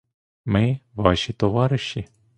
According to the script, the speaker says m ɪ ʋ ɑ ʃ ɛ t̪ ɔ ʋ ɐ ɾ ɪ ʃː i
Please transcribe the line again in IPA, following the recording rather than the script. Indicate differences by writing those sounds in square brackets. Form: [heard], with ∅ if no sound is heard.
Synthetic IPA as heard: m ɪ ʋ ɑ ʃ [i] t̪ ɔ ʋ [ɑ] ɾ ɪ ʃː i